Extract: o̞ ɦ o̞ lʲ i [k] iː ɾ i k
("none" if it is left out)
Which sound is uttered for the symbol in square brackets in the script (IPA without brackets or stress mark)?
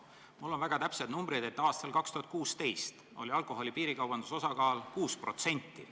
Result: p